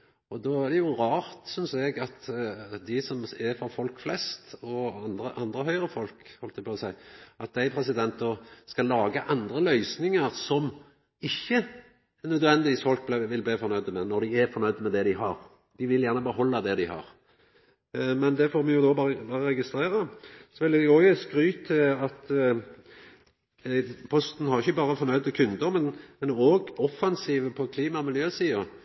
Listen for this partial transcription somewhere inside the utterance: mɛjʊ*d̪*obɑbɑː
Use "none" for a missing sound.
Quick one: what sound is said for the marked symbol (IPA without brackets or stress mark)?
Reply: d̪